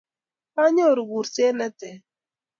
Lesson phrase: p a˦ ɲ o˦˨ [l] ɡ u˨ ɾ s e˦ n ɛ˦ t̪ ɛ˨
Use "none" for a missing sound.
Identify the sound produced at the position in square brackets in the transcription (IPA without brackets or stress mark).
ɾ